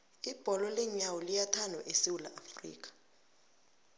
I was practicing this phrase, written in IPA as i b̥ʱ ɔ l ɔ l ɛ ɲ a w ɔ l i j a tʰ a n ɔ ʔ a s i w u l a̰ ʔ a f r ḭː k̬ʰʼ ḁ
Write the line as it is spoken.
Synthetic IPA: i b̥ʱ ɔ l ɔ l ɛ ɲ a w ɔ l i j a tʰ a n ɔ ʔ e s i w u l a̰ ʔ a f r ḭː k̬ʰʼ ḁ